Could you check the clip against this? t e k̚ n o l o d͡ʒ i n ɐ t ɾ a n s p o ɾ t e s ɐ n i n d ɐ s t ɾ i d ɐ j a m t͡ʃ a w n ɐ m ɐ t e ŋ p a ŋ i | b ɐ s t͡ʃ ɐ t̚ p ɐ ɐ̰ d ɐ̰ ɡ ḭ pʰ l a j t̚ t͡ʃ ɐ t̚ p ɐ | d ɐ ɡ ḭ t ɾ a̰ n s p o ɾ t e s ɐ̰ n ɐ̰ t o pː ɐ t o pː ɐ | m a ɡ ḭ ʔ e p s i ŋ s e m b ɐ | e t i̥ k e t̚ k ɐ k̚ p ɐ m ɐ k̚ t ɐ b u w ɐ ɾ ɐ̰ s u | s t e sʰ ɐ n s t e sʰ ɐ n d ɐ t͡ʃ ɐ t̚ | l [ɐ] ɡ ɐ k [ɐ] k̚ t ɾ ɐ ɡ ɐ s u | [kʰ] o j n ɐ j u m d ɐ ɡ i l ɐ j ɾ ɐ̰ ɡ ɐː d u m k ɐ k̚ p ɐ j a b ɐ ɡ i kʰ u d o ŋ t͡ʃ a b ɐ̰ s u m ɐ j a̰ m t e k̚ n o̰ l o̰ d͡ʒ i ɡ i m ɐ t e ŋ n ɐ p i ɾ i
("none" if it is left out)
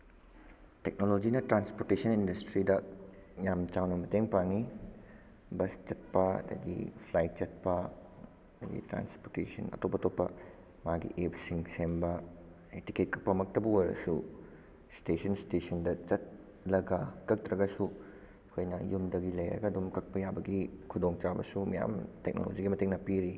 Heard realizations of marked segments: ɐ, ɐ, kʰ

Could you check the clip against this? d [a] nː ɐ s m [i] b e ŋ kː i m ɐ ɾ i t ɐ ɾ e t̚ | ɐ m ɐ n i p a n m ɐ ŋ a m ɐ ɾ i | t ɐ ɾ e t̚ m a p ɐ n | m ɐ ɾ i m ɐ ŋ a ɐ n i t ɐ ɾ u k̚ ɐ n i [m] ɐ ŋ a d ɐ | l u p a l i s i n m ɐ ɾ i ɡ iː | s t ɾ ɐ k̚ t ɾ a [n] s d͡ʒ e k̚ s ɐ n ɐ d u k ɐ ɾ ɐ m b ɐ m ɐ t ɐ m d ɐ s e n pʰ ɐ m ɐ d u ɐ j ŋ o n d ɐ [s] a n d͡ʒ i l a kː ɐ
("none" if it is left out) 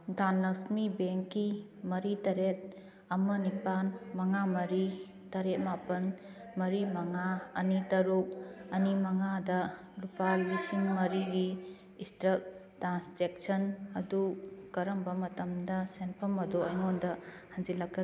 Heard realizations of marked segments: a, i, m, n, h

